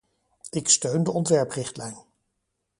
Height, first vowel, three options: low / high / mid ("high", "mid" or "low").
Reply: high